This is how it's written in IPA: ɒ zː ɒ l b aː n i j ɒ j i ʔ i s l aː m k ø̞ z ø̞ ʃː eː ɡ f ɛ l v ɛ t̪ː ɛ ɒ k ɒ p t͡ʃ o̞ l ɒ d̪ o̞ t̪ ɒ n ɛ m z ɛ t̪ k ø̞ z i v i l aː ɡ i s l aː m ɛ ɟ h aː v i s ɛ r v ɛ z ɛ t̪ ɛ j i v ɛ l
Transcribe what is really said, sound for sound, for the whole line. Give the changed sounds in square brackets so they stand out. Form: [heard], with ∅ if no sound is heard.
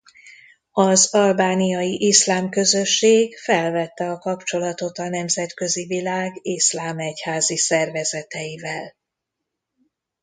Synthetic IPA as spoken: ɒ [z] ɒ l b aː n i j ɒ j i ʔ i s l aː m k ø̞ z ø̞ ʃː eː ɡ f ɛ l v ɛ t̪ː ɛ ɒ k ɒ p t͡ʃ o̞ l ɒ [t̪] o̞ t̪ ɒ n ɛ m z ɛ t̪ k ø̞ z i v i l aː ɡ i s l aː m ɛ [c] h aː [z] i s ɛ r v ɛ z ɛ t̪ ɛ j i v ɛ l